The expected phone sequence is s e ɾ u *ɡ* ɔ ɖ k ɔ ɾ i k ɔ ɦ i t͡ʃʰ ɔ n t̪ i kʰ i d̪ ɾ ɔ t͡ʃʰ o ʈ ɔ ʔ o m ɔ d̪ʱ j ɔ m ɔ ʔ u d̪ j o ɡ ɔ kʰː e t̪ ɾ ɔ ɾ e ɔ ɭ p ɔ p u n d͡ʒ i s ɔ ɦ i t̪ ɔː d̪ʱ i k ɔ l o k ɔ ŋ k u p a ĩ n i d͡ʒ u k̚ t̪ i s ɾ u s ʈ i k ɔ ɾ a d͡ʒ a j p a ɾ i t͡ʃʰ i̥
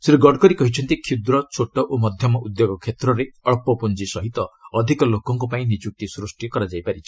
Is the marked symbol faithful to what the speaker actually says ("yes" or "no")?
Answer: yes